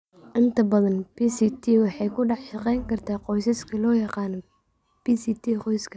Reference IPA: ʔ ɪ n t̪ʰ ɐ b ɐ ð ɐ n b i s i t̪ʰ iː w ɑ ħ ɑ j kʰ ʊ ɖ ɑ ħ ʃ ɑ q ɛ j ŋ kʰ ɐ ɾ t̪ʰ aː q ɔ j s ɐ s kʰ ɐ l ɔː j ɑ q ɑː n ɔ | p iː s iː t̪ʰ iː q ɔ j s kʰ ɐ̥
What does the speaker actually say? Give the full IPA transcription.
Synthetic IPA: ʔ ɪ n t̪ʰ ɐ b ɐ ð ɐ n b i s i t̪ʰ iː w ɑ ħ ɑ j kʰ ʊ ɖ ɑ ħ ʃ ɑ q ɛ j ŋ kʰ ɐ r t̪ʰ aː q ɔ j s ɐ s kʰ ɐ l ɔː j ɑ q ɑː n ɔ | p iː s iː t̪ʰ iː q ɔ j s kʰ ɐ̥